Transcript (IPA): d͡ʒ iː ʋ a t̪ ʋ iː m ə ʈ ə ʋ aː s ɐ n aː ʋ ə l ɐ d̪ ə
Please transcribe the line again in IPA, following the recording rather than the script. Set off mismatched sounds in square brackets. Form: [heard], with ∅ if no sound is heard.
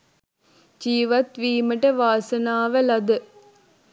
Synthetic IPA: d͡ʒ iː ʋ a t̪ ʋ iː m ə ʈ ə ʋ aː s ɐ n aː ʋ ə l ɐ d̪ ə